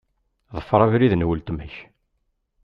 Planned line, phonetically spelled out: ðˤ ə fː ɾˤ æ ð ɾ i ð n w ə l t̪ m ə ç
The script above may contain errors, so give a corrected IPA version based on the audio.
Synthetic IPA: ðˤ ə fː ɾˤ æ v ɾ i ð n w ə l t̪ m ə ç